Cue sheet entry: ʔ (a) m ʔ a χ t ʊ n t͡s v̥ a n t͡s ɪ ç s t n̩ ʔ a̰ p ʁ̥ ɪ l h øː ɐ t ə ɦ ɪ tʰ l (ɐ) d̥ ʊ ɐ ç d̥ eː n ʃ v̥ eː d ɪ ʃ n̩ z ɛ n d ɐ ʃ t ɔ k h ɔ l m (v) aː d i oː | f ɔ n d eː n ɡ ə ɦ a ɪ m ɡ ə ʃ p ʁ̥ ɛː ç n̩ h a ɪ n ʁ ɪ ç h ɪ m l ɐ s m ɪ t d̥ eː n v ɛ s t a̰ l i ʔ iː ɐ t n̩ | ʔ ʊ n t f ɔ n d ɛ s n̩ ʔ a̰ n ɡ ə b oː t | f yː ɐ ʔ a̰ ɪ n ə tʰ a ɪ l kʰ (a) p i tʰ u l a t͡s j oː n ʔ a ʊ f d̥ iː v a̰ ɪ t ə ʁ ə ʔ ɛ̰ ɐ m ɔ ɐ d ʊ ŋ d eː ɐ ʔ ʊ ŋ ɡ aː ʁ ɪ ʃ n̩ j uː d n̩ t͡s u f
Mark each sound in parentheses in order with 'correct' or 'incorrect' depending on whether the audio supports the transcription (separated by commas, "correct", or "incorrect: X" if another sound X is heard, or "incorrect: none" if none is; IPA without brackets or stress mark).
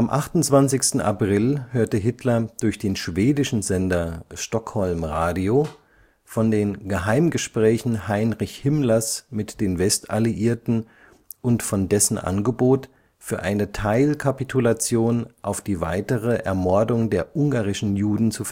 correct, correct, incorrect: ʁ, correct